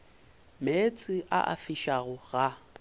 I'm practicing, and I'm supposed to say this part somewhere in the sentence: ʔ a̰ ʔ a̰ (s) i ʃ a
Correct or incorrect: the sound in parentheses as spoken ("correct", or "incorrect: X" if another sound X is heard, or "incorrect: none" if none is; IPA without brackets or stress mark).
incorrect: f